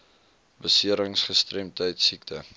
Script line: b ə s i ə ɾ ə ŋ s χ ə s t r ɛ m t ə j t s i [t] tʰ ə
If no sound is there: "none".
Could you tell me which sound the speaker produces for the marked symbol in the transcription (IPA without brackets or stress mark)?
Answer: k